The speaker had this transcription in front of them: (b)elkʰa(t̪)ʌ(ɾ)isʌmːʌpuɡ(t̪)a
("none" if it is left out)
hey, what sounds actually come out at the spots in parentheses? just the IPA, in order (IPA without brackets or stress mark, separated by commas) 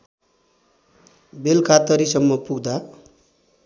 b, t̪, ɾ, d̪